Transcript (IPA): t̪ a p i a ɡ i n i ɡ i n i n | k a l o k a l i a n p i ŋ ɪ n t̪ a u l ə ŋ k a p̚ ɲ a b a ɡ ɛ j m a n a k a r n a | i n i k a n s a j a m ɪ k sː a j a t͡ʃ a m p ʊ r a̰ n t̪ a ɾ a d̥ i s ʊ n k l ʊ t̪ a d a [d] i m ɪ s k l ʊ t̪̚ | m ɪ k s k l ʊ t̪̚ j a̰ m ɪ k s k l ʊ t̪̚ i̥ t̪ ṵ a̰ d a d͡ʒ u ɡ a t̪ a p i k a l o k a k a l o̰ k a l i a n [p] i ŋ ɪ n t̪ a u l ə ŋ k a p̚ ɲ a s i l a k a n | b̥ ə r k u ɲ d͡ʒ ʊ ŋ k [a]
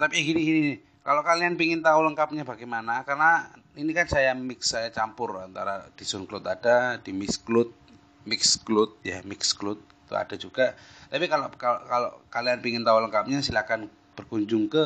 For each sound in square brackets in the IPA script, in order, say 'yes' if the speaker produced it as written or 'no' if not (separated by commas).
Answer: yes, yes, no